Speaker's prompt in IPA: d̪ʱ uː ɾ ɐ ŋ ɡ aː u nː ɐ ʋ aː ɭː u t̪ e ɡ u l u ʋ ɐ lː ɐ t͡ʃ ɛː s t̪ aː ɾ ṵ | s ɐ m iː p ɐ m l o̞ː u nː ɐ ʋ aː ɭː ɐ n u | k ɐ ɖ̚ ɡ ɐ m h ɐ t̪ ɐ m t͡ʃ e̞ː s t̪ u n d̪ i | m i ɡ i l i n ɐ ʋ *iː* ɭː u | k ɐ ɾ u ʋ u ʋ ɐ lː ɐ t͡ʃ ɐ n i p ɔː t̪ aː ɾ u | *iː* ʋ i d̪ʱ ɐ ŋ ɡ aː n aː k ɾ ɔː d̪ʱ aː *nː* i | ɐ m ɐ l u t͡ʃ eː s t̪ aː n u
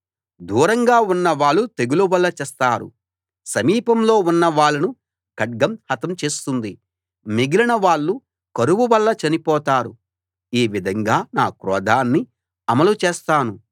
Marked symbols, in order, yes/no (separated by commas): no, yes, yes